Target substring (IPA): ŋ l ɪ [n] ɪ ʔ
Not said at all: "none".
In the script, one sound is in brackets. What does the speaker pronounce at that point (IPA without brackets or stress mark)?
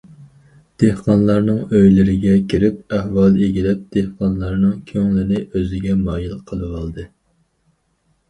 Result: n